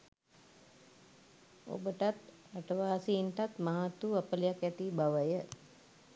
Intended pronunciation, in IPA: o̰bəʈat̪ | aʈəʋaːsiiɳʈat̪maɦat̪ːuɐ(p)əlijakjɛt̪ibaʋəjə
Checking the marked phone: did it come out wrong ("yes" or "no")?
no